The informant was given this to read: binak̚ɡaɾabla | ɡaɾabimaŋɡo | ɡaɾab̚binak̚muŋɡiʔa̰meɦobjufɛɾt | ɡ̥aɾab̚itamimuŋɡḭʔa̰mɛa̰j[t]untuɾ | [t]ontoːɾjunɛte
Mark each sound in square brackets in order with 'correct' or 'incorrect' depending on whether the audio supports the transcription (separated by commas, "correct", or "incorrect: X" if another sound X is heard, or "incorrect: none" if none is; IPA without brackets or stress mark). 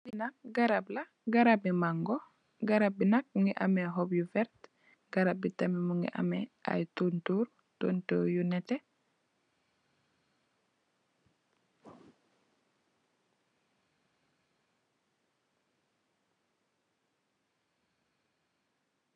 correct, correct